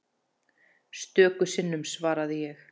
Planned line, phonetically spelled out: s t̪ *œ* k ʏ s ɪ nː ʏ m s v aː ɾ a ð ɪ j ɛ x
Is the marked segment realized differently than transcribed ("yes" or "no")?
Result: yes